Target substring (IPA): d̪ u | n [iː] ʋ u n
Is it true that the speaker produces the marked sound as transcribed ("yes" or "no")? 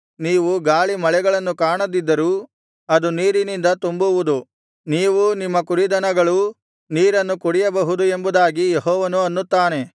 yes